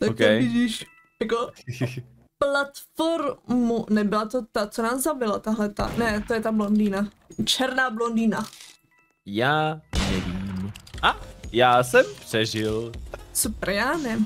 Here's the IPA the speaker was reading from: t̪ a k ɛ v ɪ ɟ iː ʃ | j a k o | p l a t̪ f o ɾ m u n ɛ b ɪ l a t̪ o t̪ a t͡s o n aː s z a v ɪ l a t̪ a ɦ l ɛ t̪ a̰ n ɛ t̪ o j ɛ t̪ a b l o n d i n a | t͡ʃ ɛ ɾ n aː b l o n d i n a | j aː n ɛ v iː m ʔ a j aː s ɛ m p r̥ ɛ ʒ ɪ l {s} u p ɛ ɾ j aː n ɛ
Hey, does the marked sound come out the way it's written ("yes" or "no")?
yes